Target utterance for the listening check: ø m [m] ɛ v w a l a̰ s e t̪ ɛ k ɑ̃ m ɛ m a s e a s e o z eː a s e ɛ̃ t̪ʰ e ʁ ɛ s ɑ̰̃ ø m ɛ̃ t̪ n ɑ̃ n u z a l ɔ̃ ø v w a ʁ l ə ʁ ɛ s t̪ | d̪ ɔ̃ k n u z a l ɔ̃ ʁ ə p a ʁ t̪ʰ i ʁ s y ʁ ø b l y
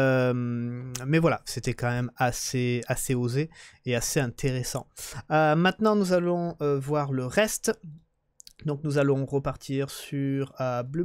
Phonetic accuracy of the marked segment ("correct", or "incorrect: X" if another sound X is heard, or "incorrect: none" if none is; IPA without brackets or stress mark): correct